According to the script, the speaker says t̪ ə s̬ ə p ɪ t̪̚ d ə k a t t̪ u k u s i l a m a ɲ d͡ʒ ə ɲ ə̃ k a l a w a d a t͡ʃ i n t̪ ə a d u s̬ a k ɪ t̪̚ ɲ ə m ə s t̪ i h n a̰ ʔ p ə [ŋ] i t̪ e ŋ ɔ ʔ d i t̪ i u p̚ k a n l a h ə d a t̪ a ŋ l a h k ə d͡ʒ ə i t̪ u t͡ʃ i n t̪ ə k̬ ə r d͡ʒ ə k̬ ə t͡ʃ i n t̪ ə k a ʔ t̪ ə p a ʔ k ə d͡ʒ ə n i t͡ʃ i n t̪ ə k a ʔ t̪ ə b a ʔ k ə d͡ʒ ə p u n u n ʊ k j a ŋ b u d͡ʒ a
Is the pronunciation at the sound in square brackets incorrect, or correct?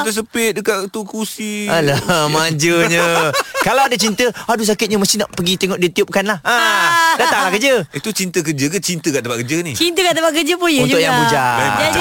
incorrect